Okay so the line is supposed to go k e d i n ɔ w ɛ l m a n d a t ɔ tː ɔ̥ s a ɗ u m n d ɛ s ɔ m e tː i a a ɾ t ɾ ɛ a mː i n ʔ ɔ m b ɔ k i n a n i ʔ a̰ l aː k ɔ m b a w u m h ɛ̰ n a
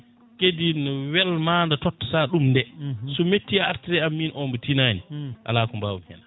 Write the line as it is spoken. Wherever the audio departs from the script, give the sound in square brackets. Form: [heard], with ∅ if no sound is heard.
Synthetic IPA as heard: k e d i n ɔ w ɛ l m a n d a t ɔ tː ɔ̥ s a ɗ u m n d ɛ s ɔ m e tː i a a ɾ t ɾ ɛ a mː i n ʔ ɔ m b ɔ [t] i n a n i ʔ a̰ l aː k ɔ m b a w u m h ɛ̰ n a